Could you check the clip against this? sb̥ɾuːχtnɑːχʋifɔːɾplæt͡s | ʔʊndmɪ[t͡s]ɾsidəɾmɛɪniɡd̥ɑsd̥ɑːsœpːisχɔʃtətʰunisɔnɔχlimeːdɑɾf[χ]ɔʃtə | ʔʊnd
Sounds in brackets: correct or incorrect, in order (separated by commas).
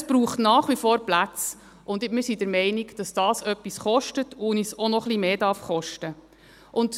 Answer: incorrect, correct